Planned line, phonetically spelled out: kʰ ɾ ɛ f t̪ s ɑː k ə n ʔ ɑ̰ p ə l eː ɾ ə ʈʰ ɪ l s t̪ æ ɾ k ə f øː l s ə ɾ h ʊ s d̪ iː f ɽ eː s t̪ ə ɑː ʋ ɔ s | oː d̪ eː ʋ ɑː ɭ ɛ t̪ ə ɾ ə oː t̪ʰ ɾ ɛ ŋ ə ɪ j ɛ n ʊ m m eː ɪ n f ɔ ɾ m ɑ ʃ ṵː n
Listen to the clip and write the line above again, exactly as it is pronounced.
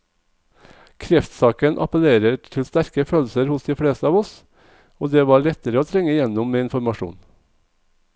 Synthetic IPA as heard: kʰ ɾ ɛ f t̪ s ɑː k ə n ʔ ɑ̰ p ə l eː ɾ ə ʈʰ ɪ l s t̪ æ ɾ k ə f øː l s ə ɾ h ʊ s d̪ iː f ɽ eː s t̪ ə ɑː ʋ ɔ s | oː d̪ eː ʋ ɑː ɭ ɛ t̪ ə ɾ ə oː t̪ʰ ɾ ɛ ŋ ə ɪ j ɛ n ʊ m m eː ɪ n f ɔ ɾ m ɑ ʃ ṵː n